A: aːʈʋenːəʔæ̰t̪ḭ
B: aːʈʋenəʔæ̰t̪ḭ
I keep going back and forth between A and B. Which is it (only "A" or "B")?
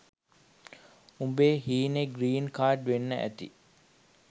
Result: A